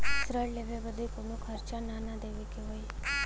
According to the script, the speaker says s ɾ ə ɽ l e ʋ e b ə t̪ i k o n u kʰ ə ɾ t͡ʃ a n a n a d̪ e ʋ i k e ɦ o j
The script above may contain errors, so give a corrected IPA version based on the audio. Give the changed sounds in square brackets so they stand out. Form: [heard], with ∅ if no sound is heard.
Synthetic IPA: s ɾ ə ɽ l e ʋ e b ə [d̪] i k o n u kʰ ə ɾ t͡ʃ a n a n a d̪ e ʋ i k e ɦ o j

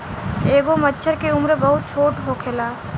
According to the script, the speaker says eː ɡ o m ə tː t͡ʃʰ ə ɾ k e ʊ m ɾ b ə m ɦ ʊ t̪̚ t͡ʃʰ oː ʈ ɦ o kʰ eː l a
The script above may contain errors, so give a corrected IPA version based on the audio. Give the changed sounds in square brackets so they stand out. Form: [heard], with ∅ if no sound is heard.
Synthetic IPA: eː ɡ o m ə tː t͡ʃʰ ə ɾ k e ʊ m ɾ b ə [∅] ɦ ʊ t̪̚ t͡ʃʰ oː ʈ ɦ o kʰ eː l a

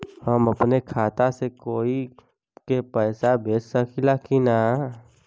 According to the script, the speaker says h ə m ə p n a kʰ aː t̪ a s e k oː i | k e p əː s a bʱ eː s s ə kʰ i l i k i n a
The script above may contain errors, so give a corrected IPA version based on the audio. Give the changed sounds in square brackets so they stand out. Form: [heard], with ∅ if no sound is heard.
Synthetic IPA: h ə m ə p n [e] kʰ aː t̪ a s e k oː i | k e p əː s a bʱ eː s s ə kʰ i l [a] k i n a

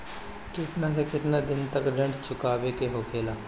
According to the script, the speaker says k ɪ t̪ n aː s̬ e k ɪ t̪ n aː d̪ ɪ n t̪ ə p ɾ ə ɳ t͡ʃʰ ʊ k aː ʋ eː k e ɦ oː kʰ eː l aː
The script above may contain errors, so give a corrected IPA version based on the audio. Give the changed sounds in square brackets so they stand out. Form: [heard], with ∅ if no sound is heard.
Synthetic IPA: k ɪ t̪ n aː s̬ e k ɪ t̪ n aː d̪ ɪ n t̪ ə [k] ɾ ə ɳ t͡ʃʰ ʊ k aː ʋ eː k e ɦ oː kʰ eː l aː

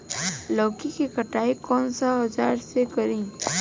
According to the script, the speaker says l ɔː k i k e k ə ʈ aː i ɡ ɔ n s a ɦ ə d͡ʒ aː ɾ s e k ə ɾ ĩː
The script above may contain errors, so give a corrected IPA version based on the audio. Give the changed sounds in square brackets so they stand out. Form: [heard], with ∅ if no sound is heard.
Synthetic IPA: l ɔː k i k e k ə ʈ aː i [k] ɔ n s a ɦ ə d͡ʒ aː ɾ s e k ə ɾ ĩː

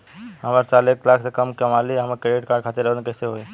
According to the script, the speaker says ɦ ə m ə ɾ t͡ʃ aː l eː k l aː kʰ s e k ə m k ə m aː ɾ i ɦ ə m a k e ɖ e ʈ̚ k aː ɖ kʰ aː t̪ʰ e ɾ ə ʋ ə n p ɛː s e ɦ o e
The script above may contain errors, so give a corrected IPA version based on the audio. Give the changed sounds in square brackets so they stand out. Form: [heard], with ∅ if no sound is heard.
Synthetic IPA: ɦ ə m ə ɾ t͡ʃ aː l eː k l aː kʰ s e k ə m k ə m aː [l] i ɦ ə m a k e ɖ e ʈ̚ k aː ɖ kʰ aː [t̪] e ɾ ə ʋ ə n [k] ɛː s e ɦ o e

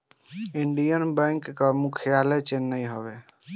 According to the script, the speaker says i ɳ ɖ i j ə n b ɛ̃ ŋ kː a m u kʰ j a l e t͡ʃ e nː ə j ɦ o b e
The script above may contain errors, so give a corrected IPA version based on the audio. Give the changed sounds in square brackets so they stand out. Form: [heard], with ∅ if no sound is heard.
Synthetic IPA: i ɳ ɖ i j ə n b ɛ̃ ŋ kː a m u kʰ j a l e t͡ʃ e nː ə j ɦ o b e

